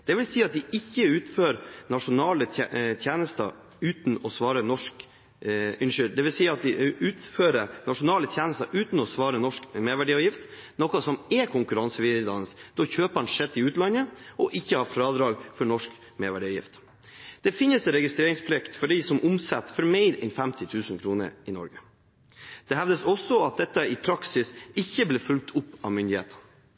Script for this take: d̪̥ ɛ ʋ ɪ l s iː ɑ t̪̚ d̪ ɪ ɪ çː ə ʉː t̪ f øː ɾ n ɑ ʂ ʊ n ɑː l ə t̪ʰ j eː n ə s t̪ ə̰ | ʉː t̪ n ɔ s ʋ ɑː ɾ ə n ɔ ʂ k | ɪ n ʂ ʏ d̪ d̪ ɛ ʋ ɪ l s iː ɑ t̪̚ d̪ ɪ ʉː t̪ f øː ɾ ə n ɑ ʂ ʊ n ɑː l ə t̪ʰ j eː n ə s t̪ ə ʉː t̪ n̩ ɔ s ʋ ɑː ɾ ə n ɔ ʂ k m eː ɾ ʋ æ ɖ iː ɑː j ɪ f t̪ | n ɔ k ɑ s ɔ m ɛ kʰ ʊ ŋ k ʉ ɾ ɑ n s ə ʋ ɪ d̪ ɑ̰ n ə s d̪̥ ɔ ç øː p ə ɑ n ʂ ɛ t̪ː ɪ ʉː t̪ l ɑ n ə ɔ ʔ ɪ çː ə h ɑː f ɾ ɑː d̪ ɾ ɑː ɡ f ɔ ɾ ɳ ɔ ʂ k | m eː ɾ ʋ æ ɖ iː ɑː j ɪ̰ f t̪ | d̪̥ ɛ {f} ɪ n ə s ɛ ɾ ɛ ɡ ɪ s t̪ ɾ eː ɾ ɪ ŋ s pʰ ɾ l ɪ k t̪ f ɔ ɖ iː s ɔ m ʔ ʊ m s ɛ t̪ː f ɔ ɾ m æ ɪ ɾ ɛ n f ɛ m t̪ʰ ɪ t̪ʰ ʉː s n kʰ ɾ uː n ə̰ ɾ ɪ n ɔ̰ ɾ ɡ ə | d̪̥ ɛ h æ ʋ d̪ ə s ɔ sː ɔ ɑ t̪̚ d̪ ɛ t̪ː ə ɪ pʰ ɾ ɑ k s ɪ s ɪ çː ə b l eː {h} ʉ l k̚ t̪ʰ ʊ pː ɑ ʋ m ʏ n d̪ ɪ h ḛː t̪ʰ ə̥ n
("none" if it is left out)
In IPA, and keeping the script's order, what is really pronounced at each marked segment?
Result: f, f

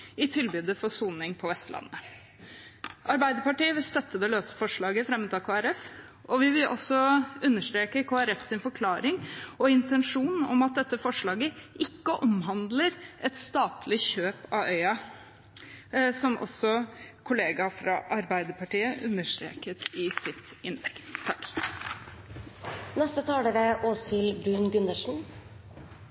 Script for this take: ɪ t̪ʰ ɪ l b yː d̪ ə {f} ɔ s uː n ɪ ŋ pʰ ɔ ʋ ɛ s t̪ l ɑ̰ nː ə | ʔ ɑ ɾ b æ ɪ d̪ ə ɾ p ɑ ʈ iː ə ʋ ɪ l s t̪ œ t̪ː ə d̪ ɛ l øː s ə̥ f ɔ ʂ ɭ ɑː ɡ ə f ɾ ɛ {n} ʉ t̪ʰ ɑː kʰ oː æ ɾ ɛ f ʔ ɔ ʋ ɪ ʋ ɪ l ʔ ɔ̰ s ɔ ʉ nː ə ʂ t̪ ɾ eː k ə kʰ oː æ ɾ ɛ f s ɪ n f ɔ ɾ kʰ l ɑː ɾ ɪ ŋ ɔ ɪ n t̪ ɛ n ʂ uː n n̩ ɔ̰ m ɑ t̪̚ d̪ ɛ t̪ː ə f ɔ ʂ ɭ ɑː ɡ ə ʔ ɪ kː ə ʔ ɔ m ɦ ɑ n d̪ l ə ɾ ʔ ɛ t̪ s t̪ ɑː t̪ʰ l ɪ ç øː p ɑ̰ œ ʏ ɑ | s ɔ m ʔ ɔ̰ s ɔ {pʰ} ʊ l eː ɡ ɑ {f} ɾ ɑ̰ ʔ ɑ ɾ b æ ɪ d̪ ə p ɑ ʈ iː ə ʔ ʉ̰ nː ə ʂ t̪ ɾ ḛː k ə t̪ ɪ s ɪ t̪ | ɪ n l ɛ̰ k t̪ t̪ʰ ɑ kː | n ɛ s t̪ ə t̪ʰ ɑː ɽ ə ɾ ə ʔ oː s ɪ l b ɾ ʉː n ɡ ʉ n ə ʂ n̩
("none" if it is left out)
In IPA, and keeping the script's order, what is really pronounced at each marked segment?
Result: f, m, kʰ, f

